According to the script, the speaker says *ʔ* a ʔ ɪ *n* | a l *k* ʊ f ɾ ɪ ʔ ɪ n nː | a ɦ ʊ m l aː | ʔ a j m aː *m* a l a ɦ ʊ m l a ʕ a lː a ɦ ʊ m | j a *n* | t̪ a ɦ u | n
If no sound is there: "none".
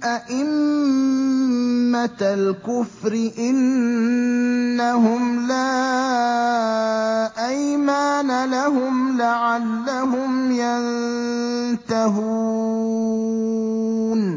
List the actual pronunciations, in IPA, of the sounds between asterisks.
ʔ, m, k, n, n

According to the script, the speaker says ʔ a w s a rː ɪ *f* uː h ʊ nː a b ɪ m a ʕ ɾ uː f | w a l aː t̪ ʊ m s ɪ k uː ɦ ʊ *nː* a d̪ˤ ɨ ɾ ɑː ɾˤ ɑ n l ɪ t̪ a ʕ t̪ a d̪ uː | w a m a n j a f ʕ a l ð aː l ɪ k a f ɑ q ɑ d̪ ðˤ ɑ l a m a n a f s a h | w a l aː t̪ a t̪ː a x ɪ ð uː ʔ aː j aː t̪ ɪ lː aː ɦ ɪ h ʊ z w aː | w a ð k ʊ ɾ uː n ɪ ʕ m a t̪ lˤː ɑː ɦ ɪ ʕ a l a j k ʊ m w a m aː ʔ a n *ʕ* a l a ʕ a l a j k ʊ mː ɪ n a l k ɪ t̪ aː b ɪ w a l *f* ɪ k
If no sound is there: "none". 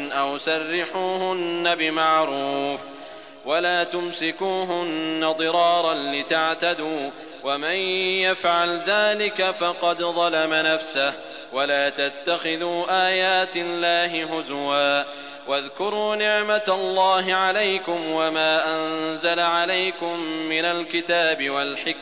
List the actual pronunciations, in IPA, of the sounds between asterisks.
ħ, nː, z, ħ

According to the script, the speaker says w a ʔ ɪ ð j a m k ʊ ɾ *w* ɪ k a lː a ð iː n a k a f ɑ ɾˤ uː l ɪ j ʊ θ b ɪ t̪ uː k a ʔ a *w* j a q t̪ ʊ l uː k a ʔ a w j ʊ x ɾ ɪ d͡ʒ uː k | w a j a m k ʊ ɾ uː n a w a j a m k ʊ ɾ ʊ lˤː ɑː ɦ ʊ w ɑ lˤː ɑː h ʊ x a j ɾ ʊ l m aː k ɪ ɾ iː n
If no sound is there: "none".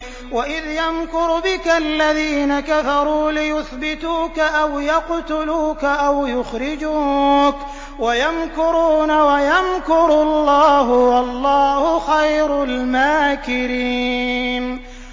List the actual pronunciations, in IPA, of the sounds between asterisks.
b, w

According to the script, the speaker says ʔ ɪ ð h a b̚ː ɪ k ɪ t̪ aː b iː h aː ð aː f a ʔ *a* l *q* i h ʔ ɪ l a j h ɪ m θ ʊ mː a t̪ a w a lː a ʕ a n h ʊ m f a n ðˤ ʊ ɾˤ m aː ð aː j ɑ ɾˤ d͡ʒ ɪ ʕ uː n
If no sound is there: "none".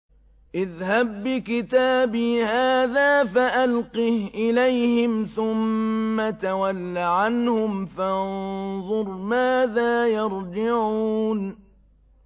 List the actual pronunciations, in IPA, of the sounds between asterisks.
a, q

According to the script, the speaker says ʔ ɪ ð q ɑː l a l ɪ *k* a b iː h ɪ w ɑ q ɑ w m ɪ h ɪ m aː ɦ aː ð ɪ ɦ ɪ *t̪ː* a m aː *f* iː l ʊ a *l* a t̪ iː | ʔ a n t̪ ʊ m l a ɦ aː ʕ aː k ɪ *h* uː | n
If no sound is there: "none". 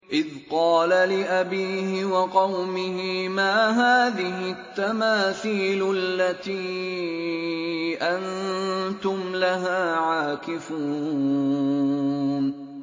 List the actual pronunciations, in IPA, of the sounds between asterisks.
ʔ, t̪ː, θ, lː, f

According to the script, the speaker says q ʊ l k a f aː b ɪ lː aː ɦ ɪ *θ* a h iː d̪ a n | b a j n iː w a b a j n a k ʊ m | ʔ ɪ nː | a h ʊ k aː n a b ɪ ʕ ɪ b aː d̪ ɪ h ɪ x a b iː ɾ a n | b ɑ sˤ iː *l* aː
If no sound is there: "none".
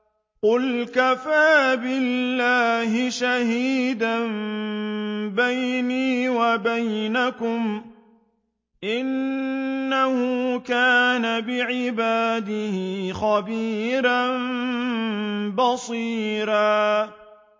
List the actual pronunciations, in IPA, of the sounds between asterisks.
ʃ, ɾ

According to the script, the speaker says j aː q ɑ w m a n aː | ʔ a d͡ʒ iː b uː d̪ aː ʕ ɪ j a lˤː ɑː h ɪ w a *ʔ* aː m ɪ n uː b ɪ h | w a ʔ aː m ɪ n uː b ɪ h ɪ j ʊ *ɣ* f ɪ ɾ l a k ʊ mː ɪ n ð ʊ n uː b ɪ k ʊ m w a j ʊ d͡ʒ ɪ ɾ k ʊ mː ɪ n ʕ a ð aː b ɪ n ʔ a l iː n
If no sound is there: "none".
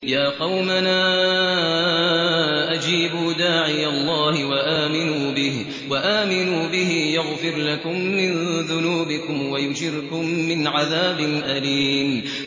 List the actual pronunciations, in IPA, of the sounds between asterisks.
ʔ, ɣ

